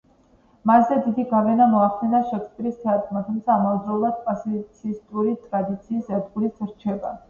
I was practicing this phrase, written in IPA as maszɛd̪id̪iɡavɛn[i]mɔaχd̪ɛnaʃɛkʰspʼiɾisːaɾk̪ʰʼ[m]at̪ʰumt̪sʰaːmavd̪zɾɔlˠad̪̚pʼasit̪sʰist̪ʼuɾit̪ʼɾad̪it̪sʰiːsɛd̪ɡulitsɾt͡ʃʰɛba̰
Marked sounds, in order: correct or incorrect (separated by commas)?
incorrect, correct